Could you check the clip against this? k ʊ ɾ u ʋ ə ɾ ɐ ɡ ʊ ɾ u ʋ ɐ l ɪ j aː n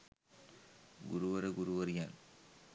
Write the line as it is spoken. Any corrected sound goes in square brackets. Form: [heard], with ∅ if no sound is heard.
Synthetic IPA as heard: [ɡ] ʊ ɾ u ʋ [ɐ] ɾ ɐ ɡ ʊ ɾ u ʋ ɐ [ɾ] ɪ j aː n